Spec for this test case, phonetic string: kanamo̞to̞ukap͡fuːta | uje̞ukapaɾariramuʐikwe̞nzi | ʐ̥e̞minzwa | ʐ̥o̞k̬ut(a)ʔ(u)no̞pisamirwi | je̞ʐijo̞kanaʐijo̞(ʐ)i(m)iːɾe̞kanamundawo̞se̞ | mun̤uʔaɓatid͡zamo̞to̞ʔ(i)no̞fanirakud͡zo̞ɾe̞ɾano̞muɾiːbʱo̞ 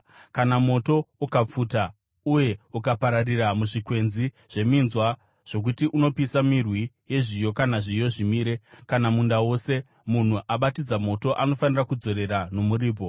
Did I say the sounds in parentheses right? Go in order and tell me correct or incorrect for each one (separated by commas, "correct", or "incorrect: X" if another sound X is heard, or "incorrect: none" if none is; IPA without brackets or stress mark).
incorrect: i, correct, correct, correct, incorrect: a